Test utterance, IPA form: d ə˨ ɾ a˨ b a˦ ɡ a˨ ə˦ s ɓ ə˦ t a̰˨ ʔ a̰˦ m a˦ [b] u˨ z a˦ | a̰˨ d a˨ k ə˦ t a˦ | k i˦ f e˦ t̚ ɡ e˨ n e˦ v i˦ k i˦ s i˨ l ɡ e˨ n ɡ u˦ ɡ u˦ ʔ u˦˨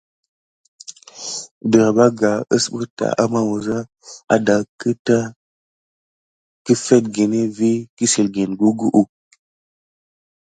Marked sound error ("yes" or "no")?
yes